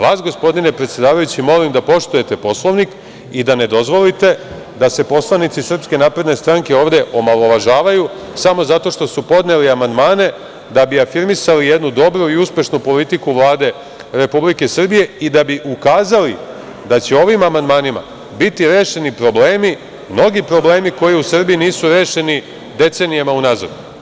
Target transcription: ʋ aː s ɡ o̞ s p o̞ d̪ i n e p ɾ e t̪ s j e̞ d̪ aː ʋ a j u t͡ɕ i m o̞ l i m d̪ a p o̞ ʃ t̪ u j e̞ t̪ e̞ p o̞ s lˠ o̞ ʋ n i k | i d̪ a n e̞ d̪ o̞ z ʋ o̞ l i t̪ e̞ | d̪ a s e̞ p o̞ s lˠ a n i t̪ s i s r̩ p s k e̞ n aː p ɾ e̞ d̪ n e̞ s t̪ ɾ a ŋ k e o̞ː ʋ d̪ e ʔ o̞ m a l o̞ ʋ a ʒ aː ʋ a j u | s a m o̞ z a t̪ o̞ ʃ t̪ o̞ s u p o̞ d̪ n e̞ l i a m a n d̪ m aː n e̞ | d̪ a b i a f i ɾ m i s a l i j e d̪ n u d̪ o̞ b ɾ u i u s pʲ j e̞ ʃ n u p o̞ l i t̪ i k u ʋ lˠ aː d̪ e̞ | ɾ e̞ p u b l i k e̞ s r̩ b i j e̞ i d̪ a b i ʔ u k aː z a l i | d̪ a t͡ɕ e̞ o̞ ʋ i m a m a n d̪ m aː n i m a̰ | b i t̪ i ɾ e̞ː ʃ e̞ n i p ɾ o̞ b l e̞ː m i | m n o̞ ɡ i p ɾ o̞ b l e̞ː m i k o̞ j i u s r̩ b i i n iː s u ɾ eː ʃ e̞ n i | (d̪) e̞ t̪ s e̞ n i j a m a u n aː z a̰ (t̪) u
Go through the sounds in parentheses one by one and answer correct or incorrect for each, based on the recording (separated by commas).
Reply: correct, incorrect